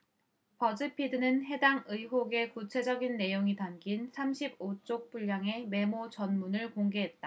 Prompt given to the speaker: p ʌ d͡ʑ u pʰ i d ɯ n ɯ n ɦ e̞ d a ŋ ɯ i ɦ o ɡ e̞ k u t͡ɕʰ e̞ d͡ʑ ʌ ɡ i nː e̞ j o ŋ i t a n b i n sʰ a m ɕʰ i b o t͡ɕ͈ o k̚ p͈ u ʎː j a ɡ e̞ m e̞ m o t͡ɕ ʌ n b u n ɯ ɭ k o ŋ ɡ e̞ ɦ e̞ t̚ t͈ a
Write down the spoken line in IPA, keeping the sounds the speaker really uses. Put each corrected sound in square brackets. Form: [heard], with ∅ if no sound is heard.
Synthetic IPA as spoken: p ʌ d͡ʑ [ɯ] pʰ i d ɯ n ɯ n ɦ e̞ d a ŋ ɯ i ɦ o ɡ e̞ k u t͡ɕʰ e̞ d͡ʑ ʌ ɡ i nː e̞ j o ŋ i t a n [ɡ] i n sʰ a m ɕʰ i b o t͡ɕ͈ o k̚ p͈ u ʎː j a [ŋ] e̞ m e̞ m o t͡ɕ ʌ n [m] u n ɯ ɭ k o ŋ ɡ e̞ ɦ e̞ t̚ t͈ a